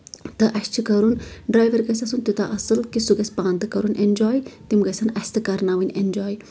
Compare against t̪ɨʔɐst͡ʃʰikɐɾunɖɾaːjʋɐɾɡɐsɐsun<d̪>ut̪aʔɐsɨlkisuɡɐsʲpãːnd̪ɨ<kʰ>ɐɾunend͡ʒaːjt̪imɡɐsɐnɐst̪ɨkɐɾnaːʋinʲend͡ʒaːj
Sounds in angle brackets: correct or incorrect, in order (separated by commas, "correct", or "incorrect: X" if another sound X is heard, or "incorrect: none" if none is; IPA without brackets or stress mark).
incorrect: t̪, incorrect: k